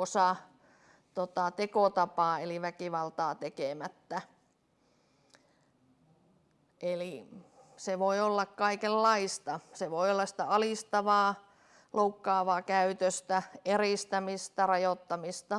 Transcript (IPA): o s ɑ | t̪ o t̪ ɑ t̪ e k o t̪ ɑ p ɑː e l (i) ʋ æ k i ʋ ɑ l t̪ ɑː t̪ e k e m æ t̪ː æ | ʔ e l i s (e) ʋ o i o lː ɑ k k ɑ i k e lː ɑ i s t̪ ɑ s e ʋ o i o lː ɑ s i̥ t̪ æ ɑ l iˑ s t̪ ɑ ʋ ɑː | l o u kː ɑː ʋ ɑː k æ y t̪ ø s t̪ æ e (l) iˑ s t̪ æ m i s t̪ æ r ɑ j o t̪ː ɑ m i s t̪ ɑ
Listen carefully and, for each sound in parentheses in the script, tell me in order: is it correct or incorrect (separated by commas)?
correct, correct, incorrect